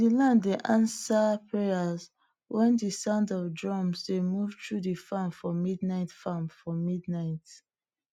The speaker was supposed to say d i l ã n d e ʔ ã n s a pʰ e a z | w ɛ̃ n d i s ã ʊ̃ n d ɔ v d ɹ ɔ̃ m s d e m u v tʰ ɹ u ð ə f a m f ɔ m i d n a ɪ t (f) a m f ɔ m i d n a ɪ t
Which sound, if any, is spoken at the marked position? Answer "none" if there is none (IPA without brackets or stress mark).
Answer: f